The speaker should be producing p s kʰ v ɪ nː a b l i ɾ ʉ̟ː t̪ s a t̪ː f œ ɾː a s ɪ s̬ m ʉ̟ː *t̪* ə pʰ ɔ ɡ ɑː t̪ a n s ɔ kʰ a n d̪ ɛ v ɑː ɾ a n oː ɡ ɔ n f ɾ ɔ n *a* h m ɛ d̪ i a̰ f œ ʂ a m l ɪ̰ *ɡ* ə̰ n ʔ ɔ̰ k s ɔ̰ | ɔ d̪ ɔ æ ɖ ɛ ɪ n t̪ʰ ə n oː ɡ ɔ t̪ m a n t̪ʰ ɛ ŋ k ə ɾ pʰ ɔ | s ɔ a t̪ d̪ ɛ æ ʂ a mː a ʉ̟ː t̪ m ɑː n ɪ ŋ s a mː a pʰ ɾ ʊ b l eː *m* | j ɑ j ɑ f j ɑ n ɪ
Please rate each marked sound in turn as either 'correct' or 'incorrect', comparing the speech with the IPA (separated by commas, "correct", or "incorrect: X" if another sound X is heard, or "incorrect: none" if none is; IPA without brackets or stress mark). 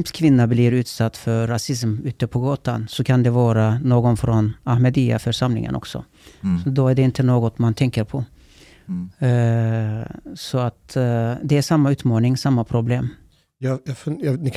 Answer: correct, correct, incorrect: ŋ, correct